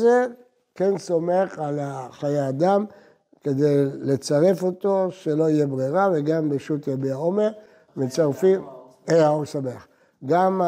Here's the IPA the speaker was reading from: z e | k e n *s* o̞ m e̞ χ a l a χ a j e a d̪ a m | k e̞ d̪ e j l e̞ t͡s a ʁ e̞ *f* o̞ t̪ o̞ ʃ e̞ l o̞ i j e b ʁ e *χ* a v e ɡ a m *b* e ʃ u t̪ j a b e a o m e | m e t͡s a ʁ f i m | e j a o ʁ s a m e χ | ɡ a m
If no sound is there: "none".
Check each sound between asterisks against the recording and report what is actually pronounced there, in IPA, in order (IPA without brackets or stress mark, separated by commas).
s, f, ʁ, b